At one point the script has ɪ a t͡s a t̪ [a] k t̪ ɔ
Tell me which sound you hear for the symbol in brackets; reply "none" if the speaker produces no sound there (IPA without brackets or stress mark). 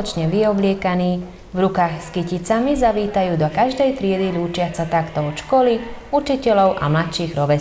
a